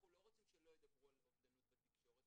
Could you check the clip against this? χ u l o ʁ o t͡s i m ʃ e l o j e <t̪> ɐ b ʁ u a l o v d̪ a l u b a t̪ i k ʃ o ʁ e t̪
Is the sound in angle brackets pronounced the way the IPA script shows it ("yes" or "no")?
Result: no